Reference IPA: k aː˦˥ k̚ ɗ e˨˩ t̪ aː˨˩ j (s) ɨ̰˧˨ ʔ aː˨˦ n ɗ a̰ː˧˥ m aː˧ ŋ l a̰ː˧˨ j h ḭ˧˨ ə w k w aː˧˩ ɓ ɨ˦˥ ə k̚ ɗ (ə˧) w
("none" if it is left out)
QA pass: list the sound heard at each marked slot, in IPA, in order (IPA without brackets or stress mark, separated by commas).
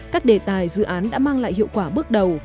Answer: z, ə˨˩